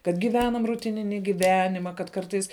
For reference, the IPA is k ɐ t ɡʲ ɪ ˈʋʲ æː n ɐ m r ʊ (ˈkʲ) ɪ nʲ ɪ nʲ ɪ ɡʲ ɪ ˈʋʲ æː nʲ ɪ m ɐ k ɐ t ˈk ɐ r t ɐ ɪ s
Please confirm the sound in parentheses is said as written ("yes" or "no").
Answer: no